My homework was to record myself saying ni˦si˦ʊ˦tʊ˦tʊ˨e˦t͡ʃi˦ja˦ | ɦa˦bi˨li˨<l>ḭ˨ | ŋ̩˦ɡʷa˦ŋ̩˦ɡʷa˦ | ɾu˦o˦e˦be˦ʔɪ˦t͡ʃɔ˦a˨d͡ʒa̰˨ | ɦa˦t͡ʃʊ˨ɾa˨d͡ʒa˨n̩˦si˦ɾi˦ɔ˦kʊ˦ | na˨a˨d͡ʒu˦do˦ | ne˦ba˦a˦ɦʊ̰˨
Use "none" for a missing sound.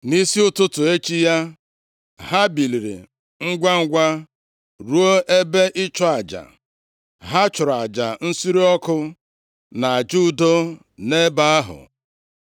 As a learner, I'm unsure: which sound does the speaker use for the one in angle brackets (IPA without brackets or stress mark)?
ɾ